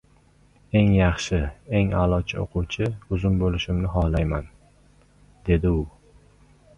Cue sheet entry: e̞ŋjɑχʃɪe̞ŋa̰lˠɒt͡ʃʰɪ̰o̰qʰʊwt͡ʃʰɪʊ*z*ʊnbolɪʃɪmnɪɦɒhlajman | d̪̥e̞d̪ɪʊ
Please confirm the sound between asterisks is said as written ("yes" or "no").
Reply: yes